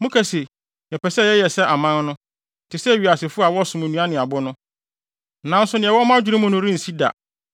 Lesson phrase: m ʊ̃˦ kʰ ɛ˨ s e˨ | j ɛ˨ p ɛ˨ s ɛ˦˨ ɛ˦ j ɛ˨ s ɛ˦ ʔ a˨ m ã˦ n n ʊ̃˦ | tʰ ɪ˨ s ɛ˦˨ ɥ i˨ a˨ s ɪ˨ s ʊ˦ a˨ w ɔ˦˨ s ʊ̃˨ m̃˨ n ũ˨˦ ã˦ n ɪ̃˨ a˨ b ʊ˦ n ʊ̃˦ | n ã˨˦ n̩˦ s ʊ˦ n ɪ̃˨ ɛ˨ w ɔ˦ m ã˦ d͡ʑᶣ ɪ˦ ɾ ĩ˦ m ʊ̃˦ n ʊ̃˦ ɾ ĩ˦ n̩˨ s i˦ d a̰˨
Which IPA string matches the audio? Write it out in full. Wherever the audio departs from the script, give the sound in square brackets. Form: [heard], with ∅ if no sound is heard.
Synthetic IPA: m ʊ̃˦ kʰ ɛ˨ s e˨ | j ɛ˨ p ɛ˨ s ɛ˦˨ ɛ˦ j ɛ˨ s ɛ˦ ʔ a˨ m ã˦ n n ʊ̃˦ | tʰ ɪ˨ s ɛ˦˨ ɥ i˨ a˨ s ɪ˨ [f] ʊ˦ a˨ w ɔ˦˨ s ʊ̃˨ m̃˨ n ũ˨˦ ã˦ n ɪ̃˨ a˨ b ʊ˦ n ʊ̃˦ | n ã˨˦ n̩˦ s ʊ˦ n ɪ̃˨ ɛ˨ w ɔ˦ m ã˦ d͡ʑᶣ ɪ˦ ɾ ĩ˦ m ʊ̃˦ n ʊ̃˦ ɾ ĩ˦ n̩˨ s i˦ d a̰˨